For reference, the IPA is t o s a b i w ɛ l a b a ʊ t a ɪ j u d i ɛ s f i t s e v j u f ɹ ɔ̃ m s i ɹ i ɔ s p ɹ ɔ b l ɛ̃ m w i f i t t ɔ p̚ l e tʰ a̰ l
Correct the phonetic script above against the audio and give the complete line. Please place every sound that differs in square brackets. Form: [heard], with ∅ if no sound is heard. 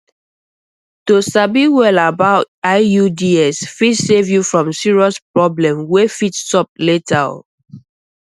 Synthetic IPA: t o s a b i w ɛ l a b a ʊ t a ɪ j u d i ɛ s f i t s e v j u f ɹ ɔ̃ m s i ɹ i ɔ s p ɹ ɔ b l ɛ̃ m w [e] f i t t ɔ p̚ l e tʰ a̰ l